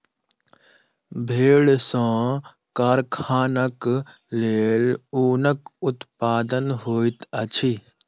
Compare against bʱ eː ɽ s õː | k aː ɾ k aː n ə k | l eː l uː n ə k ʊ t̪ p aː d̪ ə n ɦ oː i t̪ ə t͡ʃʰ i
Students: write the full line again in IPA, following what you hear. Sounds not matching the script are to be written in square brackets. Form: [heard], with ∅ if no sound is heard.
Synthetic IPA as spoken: bʱ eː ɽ s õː | k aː ɾ [kʰ] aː n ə k | l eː l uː n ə k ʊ t̪ p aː d̪ ə n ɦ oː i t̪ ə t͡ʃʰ i